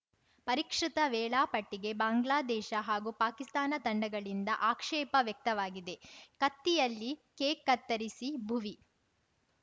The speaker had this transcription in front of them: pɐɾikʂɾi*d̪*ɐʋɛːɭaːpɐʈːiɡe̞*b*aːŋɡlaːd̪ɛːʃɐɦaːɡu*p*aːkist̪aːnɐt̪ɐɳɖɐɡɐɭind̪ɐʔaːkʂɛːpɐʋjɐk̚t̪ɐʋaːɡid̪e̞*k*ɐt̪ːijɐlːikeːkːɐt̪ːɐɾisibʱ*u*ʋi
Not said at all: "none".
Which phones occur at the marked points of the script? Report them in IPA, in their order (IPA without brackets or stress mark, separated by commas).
t̪, b, p, k, u